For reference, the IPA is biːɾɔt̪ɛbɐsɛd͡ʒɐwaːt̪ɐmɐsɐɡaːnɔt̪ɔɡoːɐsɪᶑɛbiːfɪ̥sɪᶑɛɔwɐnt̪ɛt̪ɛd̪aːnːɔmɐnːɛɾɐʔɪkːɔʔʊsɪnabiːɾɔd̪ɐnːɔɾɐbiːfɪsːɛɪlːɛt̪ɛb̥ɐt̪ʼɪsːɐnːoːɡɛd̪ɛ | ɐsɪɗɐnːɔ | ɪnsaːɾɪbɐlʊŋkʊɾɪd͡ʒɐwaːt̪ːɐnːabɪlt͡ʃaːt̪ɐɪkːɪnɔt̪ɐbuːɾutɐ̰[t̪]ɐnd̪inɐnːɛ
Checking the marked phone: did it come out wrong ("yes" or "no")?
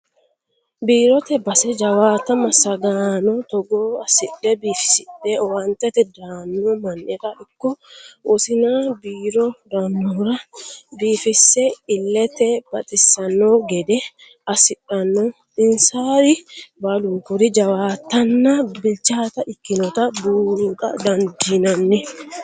yes